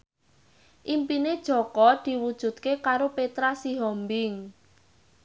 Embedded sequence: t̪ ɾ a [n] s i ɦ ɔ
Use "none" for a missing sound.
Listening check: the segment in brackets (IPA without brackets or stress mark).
none